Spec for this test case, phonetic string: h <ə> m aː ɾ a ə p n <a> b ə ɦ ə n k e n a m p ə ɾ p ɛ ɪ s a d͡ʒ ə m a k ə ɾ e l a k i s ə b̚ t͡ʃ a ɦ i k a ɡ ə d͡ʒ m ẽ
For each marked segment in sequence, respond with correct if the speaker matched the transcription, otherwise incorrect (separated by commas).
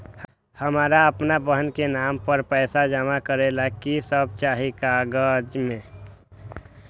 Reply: correct, correct